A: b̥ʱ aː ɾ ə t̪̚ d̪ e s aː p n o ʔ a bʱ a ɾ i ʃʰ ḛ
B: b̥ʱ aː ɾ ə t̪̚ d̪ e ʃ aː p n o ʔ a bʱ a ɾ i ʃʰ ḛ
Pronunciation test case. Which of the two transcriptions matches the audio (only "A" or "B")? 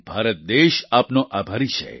B